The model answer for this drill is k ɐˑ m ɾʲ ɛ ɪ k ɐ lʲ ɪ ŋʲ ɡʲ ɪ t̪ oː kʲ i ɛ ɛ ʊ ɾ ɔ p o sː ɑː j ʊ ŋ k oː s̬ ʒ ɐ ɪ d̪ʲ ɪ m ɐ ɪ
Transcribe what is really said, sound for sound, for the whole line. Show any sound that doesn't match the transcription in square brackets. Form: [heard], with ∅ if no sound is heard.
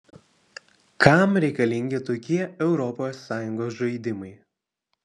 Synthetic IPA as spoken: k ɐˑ m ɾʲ ɛ ɪ k ɐ lʲ ɪ ŋʲ ɡʲ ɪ t̪ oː kʲ i ɛ ɛ ʊ ɾ ɔ p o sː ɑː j ʊ ŋ [ɡ] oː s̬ ʒ ɐ ɪ d̪ʲ ɪ m ɐ ɪ